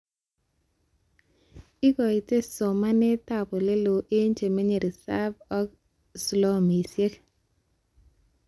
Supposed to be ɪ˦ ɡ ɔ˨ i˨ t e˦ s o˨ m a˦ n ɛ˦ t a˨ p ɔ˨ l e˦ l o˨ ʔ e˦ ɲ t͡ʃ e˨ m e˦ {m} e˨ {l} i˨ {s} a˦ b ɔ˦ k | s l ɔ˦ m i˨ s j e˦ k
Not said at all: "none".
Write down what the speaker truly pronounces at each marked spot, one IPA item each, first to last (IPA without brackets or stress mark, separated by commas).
ɲ, ɾ, s